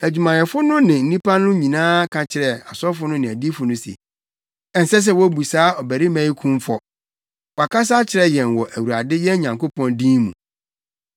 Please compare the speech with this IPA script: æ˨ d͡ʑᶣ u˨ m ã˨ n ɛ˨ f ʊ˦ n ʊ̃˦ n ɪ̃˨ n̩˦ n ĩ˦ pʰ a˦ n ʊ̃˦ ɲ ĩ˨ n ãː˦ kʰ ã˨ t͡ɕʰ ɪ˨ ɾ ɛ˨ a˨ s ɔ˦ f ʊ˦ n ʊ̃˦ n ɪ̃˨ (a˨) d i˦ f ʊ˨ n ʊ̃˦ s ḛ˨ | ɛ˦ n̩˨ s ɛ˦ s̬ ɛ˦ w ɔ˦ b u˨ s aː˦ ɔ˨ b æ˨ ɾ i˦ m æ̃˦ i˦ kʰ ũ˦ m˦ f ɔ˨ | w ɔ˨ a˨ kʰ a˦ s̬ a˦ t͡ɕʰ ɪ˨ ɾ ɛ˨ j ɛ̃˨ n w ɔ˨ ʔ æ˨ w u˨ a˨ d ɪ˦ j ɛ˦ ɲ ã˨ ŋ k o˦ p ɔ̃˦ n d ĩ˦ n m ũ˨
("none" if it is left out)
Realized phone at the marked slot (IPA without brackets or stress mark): æ˨